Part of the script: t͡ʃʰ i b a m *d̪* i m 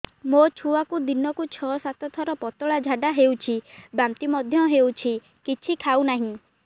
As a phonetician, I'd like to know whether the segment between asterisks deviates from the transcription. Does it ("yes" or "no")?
yes